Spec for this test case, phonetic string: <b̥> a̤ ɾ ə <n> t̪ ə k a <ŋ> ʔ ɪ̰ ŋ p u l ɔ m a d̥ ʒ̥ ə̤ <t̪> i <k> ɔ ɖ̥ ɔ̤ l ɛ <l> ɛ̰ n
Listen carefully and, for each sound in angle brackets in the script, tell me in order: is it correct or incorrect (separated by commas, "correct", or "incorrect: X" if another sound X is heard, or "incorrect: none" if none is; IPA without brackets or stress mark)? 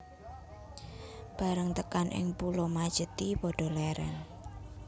correct, incorrect: ŋ, incorrect: n, correct, incorrect: p, incorrect: ɾ